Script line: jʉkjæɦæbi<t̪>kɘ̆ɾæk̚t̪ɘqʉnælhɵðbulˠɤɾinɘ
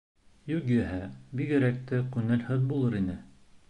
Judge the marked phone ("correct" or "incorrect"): incorrect